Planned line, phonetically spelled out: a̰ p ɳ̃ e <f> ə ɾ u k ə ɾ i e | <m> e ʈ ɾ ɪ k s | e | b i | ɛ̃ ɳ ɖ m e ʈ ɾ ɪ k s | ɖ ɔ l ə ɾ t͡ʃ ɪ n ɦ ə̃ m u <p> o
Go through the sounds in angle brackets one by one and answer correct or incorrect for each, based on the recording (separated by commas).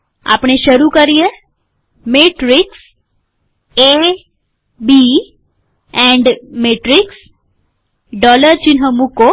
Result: incorrect, correct, incorrect